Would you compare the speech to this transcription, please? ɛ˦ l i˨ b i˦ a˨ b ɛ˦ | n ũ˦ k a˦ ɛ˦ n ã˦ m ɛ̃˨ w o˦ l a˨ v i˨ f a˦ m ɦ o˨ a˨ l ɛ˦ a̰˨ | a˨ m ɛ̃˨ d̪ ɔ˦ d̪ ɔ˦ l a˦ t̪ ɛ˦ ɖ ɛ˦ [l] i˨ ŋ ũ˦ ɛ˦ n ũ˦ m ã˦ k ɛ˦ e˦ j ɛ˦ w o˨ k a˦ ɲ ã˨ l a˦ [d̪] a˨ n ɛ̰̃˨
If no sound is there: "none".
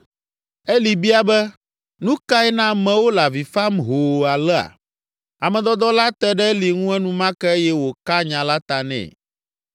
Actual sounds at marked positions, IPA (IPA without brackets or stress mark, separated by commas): l, t̪